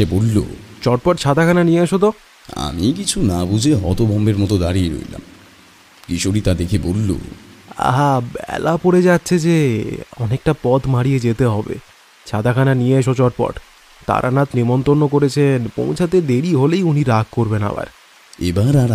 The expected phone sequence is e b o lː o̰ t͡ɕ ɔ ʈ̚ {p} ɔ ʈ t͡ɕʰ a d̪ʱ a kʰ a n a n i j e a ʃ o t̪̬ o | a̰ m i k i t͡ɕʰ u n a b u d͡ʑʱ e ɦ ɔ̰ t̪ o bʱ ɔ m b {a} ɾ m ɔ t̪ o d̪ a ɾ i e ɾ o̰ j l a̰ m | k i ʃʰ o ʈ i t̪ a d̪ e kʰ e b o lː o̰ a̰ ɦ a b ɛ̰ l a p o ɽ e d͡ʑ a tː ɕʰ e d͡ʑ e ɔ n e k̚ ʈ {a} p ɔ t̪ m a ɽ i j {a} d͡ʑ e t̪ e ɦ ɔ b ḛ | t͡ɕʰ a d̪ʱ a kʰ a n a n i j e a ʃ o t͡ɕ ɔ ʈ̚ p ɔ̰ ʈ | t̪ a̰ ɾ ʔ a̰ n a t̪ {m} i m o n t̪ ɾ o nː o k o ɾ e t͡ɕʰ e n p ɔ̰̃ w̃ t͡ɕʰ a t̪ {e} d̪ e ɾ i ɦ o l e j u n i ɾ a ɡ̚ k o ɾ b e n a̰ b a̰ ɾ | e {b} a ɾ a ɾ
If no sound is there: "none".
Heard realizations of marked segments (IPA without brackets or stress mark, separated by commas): p, e, a, e, n, e, b